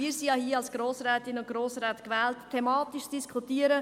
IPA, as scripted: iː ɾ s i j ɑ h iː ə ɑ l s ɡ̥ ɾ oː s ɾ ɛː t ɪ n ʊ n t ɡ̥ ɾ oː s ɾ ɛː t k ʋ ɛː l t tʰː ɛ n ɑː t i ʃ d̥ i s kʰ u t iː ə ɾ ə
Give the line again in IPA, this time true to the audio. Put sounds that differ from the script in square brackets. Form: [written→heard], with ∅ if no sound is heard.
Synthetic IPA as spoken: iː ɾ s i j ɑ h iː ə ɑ l s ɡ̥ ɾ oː s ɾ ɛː t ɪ n ʊ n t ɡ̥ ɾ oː s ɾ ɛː t k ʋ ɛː l t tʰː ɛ [n→m] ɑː t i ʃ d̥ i s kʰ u t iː ə ɾ ə